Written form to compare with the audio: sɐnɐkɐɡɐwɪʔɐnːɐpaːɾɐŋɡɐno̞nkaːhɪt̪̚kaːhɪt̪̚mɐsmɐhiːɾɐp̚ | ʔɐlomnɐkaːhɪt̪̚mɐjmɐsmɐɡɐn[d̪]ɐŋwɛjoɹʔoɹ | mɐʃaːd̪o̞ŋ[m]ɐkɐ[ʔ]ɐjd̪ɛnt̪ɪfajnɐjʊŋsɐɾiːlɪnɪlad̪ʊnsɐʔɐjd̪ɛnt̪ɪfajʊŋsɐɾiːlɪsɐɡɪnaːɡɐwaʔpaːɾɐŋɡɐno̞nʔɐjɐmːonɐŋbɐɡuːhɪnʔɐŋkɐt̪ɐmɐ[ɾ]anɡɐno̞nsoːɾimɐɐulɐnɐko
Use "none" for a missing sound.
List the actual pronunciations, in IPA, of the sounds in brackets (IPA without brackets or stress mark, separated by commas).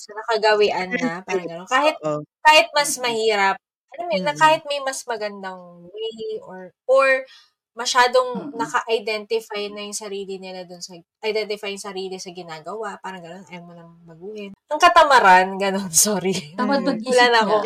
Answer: d̪, n, ʔ, ɾ